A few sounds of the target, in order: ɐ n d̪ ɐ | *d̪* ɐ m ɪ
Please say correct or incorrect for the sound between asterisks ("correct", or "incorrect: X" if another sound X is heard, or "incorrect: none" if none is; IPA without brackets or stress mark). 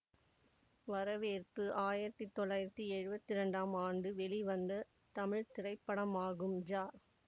incorrect: t̪